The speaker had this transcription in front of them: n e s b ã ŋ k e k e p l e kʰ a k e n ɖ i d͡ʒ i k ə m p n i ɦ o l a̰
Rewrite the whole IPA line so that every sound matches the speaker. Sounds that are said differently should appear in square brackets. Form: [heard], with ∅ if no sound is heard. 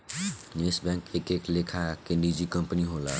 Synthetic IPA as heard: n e s b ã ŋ k e k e [k] l e kʰ a k e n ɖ i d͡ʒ i k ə m p n i ɦ o l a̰